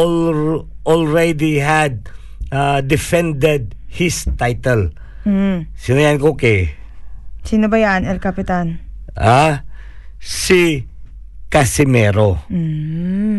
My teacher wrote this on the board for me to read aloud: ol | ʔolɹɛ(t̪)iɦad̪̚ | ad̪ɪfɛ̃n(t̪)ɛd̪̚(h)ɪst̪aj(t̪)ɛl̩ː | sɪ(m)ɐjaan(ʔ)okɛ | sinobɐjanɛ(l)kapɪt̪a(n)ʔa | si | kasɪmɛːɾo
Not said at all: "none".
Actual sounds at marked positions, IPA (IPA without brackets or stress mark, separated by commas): d̪, d̪, h, t̪, n, k, l, n